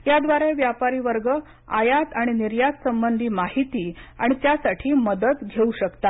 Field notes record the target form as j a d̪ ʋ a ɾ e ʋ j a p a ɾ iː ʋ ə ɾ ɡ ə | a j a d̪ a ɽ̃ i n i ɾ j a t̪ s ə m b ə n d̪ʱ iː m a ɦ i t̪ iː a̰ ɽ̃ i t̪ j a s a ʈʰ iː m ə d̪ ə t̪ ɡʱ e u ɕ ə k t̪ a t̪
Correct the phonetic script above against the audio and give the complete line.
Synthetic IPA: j a d̪ ʋ a ɾ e ʋ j a p a ɾ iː ʋ ə ɾ ɡ ə | a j a t̪ a ɽ̃ i n i ɾ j a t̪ s ə m b ə n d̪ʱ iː m a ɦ i t̪ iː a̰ ɽ̃ i t̪ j a s a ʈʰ iː m ə d̪ ə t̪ ɡʱ e u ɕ ə k t̪ a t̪

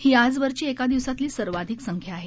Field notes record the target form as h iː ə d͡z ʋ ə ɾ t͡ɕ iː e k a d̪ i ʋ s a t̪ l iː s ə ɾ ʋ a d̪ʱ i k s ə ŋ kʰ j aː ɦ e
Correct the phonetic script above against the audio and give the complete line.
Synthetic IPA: h iː a d͡z ʋ ə ɾ t͡ɕ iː e k a d̪ i ʋ s a t̪ l iː s ə ɾ ʋ a d̪ʱ i k s ə ŋ kʰ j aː ɦ e

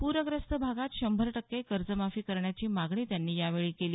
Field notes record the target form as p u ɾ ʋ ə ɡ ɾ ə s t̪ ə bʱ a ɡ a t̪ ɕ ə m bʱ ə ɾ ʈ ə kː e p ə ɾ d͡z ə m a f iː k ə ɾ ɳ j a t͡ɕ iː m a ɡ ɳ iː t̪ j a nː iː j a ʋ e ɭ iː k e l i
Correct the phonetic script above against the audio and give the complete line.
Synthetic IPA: p u ɾ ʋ ə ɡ ɾ ə s t̪ ə bʱ a ɡ a t̪ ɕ ə m bʱ ə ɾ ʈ ə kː e k ə ɾ d͡z ə m a f iː k ə ɾ ɳ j a t͡ɕ iː m a ɡ ɳ iː t̪ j a nː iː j a ʋ e ɭ iː k e l iː

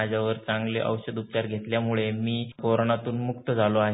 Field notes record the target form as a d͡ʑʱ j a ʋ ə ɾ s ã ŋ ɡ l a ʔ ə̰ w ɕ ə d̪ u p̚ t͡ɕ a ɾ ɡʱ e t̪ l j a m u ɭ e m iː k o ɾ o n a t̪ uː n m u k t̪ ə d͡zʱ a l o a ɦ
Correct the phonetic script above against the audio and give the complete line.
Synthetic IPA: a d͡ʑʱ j a ʋ ə ɾ t͡s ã ŋ ɡ l e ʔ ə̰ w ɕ ə d̪ u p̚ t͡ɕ a ɾ ɡʱ e t̪ l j a m u ɭ e m iː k o ɾ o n a t̪ uː n m u k t̪ ə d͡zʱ a l o a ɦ

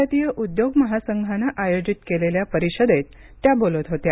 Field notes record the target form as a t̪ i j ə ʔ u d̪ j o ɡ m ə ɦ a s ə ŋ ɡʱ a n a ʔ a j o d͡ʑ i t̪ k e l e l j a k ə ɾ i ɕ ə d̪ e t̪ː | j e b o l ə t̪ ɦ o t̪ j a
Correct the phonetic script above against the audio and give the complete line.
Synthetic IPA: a t̪ i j ə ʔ u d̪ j o ɡ m ə ɦ a s ə ŋ ɡʱ a n a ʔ a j o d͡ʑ i t̪ k e l e l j a p ə ɾ i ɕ ə d̪ e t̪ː | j a b o l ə t̪ ɦ o t̪ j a

